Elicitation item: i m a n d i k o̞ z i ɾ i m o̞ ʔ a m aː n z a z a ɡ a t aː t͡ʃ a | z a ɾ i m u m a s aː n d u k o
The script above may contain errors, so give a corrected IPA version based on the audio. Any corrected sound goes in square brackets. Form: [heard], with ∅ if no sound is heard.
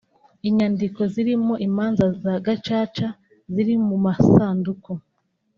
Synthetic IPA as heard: i [ɲ] a n d i k o̞ z i ɾ i m o̞ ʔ [i] m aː n z a z a ɡ a [t͡ʃ] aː t͡ʃ a | z [i] ɾ i m u m a s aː n d u k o